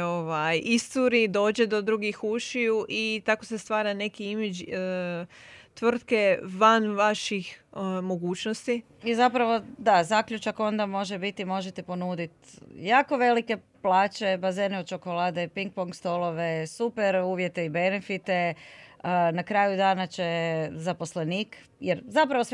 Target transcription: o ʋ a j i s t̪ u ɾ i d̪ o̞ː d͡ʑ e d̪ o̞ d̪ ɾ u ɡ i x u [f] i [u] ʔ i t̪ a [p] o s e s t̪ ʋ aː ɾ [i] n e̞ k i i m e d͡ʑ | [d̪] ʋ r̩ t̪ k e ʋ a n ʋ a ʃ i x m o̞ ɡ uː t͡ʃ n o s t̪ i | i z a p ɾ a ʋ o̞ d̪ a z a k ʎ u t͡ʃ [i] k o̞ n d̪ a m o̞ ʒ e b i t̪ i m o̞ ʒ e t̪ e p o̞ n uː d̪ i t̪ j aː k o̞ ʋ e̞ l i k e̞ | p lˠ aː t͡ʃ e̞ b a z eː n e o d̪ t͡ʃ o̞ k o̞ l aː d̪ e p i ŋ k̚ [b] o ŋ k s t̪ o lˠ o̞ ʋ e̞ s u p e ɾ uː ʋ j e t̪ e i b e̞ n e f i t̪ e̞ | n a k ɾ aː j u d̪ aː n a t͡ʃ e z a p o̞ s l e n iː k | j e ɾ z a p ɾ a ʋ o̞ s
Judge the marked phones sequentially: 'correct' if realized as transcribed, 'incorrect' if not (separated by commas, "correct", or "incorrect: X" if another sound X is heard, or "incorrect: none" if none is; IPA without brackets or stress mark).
incorrect: ʃ, correct, incorrect: k, incorrect: a, incorrect: t̪, incorrect: a, incorrect: p